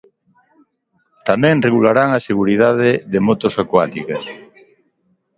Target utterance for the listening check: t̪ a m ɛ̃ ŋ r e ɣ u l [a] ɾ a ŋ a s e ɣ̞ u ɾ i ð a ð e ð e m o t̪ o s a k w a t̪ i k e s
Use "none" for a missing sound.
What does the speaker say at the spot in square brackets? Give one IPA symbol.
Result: a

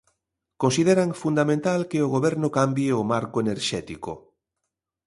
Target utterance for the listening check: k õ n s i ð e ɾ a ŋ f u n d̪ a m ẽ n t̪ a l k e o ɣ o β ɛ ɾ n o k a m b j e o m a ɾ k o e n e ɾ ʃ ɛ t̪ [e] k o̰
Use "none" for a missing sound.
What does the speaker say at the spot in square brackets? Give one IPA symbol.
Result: i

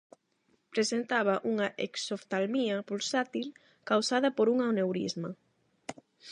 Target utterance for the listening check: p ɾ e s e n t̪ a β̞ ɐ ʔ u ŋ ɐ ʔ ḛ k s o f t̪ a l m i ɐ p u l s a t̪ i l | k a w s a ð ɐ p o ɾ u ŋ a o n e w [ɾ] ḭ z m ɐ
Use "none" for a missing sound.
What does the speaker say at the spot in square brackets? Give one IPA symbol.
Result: ɾ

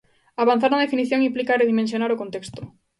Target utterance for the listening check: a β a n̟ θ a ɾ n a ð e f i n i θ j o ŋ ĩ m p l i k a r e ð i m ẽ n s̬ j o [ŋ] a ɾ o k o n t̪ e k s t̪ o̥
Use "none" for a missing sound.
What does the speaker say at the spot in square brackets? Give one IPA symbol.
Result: n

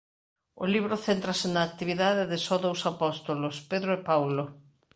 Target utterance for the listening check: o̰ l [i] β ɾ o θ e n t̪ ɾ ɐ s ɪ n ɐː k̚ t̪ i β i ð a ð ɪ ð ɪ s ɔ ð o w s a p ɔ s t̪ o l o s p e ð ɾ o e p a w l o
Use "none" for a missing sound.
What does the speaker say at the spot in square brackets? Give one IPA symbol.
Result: i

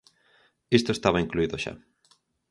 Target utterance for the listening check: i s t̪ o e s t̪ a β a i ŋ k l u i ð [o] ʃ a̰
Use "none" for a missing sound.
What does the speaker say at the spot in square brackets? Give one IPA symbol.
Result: o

